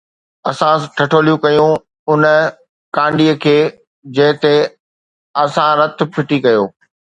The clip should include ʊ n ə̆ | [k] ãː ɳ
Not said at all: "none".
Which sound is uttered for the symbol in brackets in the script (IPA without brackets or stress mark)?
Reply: k